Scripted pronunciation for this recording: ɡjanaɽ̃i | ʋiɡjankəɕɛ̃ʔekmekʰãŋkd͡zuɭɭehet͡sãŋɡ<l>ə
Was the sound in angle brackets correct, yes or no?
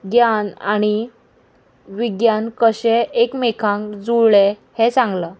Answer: yes